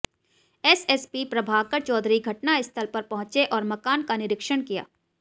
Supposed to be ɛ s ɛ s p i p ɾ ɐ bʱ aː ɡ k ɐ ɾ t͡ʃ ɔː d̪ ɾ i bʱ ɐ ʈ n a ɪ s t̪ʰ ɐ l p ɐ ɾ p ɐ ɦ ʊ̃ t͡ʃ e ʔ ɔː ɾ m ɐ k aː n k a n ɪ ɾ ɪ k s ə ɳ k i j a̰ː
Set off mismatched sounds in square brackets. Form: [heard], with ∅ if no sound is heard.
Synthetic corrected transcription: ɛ s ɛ s p i p ɾ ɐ bʱ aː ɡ k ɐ ɾ t͡ʃ ɔː d̪ ɾ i [ɡʱ] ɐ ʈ n a ɪ s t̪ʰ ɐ l p ɐ ɾ p ɐ ɦ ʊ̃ t͡ʃ e ʔ ɔː ɾ m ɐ k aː n k a n ɪ ɾ ɪ k [ʃ] ə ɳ k i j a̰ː